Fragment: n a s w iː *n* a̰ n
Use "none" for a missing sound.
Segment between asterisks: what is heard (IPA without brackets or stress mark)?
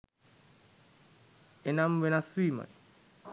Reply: m